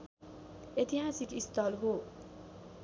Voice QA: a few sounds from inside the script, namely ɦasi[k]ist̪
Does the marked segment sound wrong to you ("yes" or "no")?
no